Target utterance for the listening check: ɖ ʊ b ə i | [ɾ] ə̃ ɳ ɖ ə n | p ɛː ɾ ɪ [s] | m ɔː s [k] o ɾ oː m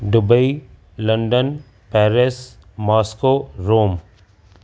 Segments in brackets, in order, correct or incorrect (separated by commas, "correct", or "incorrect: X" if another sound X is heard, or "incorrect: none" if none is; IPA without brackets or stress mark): incorrect: l, correct, correct